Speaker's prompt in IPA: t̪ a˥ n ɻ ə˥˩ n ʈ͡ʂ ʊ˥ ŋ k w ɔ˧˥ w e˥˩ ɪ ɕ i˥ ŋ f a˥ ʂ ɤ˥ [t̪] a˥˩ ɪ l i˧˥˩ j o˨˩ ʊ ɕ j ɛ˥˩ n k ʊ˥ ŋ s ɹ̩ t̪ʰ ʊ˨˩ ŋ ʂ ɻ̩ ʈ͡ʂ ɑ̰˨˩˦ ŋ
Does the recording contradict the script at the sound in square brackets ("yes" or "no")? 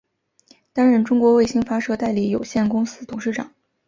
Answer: no